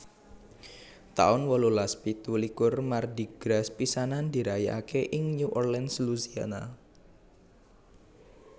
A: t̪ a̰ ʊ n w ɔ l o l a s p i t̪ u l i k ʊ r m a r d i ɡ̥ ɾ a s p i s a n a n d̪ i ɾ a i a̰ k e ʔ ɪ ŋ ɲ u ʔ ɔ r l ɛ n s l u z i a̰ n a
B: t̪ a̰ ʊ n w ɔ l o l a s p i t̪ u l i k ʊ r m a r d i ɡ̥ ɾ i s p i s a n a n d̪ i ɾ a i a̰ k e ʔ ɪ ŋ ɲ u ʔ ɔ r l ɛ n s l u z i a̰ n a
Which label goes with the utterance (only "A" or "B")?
A